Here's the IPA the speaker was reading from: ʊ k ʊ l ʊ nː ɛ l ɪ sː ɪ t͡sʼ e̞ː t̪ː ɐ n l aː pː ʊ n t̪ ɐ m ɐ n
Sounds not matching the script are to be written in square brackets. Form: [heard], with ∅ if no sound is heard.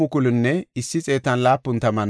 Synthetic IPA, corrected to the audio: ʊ k ʊ l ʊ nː ɛ [∅] ɪ sː ɪ t͡sʼ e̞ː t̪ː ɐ n l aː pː ʊ n t̪ ɐ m ɐ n